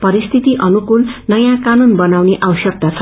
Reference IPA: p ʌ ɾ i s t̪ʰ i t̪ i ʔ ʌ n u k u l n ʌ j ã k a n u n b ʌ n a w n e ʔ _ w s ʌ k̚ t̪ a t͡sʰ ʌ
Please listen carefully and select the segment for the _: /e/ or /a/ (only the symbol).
a